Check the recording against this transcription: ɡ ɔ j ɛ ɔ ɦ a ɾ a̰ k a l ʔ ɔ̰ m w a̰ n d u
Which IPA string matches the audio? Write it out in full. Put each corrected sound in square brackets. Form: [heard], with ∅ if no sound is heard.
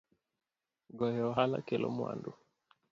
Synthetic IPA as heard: ɡ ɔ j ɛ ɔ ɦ a [l] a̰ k [ɛ] l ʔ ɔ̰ m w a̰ n d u